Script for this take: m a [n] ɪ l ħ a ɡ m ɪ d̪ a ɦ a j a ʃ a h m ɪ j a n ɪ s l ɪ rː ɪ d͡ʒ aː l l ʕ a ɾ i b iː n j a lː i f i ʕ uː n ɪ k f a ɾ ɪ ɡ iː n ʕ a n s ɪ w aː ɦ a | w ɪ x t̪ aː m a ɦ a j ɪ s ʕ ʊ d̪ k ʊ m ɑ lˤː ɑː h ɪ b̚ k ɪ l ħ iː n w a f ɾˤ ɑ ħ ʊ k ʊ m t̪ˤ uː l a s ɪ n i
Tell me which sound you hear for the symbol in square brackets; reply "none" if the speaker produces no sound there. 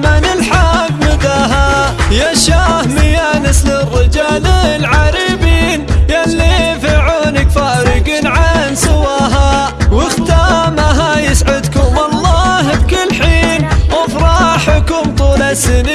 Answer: n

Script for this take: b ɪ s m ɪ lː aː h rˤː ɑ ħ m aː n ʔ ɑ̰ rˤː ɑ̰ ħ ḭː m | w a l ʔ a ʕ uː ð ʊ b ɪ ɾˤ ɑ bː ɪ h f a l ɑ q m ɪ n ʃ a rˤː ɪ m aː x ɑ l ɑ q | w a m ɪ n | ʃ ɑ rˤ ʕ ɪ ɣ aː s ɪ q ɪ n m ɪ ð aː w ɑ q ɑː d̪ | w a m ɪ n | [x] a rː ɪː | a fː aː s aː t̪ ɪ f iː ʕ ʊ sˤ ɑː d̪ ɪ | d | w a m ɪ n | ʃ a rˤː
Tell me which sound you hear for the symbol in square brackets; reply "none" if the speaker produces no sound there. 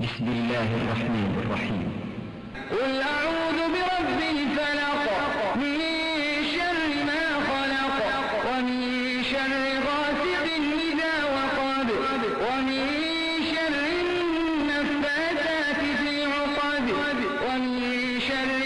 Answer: ʃ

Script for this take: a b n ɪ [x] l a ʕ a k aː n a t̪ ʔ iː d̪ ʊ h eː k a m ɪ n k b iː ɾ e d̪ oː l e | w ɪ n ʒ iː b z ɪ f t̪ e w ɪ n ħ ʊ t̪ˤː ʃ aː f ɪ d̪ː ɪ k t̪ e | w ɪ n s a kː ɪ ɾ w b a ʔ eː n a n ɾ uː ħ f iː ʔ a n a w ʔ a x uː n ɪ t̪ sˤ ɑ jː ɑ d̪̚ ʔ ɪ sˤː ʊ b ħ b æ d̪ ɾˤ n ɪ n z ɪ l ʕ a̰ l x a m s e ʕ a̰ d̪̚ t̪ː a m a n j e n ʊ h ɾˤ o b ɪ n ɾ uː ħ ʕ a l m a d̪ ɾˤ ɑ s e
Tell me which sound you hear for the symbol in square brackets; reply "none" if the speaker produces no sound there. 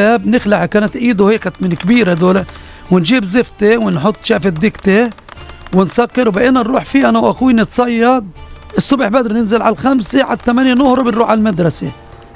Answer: x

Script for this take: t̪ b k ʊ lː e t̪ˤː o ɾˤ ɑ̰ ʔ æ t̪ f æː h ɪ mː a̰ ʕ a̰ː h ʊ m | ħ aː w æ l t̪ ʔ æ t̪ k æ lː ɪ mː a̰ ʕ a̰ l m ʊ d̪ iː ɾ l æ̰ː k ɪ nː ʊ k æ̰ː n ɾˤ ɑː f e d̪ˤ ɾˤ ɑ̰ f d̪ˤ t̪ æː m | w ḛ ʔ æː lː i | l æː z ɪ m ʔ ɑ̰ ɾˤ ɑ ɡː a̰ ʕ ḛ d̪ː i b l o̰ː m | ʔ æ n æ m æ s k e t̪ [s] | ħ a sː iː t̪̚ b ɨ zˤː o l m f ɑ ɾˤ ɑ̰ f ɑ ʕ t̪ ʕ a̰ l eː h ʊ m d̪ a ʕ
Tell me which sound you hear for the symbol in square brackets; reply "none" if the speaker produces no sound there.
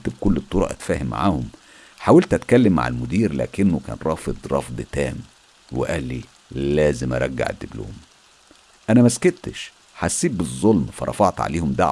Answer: ʃ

